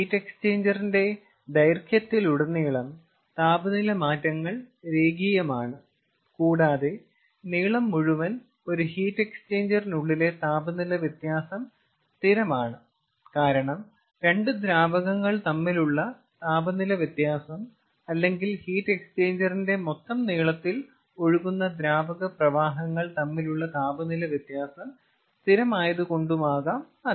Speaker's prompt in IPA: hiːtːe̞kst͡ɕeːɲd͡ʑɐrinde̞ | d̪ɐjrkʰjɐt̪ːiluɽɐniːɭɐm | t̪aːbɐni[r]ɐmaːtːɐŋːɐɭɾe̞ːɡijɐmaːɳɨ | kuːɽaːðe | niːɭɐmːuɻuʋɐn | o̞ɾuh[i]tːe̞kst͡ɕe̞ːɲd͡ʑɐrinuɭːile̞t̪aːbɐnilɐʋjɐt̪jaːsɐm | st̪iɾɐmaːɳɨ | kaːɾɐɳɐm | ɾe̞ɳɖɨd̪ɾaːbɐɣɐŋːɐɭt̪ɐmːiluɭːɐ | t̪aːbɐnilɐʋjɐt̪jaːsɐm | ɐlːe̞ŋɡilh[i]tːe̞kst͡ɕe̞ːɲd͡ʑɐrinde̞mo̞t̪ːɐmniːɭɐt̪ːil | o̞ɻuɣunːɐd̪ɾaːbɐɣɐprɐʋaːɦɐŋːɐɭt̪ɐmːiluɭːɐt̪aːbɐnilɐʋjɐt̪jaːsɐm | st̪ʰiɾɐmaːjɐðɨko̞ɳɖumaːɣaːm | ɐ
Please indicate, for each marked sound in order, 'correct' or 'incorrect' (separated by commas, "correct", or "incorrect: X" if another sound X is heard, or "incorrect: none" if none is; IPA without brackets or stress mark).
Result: incorrect: l, incorrect: iː, incorrect: iː